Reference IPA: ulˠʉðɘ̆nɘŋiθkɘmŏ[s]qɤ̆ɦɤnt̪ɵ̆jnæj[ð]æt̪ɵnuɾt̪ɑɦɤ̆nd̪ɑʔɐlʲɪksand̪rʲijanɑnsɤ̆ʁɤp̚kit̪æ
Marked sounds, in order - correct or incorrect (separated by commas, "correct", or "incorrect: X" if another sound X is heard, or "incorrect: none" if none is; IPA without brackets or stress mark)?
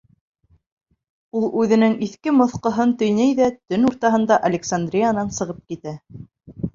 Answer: incorrect: θ, correct